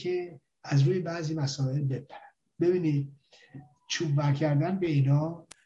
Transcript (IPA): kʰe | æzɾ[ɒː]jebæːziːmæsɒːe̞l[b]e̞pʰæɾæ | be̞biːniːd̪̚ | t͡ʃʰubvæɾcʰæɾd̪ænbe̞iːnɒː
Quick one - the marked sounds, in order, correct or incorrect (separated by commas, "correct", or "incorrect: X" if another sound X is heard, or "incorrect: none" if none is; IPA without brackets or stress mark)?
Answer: incorrect: uː, correct